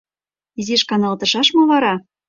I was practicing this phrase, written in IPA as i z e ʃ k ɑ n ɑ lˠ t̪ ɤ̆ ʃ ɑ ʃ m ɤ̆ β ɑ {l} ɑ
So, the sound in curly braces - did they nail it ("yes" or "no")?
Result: no